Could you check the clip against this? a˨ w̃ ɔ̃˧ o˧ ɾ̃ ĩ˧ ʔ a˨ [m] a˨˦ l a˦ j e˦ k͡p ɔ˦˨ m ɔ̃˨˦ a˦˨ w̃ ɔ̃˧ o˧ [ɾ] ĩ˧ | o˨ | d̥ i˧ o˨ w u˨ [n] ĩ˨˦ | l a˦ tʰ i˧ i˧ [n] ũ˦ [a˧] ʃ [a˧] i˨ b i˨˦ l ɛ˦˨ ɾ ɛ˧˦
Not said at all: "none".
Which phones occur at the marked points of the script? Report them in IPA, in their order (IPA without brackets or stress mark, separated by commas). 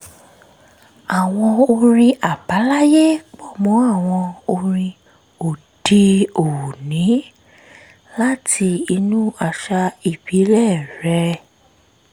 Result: b, ɾ, n, n, a˧, a˧